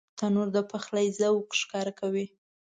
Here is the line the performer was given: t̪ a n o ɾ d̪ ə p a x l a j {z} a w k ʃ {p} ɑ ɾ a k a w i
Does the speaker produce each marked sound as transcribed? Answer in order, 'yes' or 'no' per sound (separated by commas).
yes, no